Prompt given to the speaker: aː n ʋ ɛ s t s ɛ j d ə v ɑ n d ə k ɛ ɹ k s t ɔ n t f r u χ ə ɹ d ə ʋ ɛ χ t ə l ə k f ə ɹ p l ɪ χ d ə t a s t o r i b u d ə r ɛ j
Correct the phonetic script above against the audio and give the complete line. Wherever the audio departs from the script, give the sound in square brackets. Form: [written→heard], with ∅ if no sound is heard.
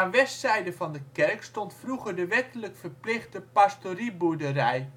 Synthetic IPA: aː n ʋ ɛ s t s ɛ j d ə v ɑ n d ə k ɛ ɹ k s t ɔ n t f r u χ ə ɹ d ə ʋ ɛ [χ→∅] t ə l ə k f ə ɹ p l ɪ χ d ə [t→p] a s t o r i b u d ə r ɛ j